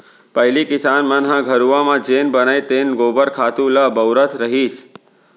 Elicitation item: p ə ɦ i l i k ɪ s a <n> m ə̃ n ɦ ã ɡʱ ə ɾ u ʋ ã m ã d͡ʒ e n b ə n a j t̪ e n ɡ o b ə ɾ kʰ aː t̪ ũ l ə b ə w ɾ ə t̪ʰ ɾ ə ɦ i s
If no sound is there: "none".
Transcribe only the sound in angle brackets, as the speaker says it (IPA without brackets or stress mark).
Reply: n